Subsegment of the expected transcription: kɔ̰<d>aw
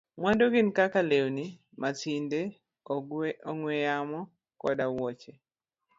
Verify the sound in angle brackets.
correct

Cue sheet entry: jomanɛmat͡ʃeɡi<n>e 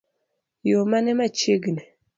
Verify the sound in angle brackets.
correct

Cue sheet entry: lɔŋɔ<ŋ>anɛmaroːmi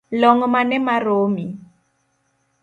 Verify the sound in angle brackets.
incorrect: m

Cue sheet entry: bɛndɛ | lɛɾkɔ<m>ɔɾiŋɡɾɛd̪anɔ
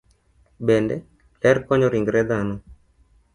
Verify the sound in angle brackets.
incorrect: ɲ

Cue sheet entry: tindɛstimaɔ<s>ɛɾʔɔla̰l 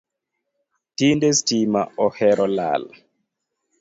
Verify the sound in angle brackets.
incorrect: h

